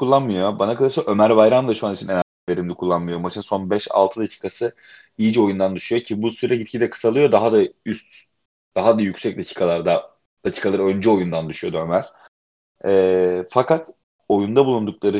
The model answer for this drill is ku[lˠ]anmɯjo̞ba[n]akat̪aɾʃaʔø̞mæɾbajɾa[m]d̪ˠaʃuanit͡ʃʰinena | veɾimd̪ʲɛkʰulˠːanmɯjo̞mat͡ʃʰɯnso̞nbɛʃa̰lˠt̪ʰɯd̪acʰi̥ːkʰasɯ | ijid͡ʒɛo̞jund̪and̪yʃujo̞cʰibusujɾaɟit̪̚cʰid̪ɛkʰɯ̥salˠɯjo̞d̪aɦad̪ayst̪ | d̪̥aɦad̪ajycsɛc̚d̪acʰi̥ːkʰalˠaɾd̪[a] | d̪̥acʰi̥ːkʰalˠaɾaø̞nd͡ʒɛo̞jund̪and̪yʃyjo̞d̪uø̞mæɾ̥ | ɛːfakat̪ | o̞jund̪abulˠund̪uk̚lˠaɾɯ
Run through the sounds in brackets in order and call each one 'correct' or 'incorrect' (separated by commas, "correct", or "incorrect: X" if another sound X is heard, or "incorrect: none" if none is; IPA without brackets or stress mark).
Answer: incorrect: lˠː, correct, correct, correct